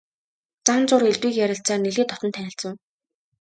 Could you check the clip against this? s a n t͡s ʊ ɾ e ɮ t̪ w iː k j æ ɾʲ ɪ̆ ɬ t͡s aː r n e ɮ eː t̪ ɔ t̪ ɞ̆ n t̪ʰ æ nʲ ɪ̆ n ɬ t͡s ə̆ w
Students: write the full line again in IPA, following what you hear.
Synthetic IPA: t͡s a n t͡s ʊ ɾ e ɮ t̪ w iː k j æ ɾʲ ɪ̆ ɬ t͡s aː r n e ɮ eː t̪ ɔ t̪ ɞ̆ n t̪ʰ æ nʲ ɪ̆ ɬ t͡s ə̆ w